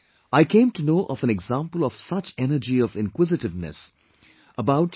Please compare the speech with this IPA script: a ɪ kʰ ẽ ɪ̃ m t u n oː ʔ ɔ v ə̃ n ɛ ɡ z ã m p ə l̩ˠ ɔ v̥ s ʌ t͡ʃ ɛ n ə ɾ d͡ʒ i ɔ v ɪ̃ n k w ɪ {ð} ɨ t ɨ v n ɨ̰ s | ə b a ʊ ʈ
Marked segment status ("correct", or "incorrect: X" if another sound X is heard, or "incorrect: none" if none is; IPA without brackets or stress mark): incorrect: z